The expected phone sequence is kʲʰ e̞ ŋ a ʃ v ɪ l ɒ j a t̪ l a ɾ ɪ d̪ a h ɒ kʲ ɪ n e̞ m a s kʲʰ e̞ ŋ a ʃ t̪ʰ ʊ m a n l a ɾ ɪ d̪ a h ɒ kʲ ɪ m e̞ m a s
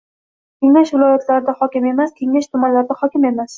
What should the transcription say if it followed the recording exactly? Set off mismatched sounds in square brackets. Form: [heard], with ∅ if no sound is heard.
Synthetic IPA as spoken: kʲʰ e̞ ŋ a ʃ v ɪ l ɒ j a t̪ l a ɾ ɪ d̪ a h ɒ kʲ ɪ [m] e̞ m a s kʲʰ e̞ ŋ a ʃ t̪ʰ ʊ m a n l a ɾ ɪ d̪ a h ɒ kʲ ɪ m e̞ m a s